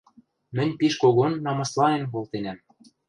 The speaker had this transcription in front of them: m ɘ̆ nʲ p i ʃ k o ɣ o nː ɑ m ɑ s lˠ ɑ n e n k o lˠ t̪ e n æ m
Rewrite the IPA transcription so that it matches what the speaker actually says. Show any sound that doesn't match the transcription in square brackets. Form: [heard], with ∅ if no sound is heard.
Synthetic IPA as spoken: m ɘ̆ nʲ p i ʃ k o ɣ o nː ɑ m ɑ s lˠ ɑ n e n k o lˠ t̪ e n æ m